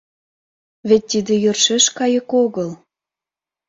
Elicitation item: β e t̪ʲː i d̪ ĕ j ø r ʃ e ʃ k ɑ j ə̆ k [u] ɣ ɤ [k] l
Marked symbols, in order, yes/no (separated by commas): no, no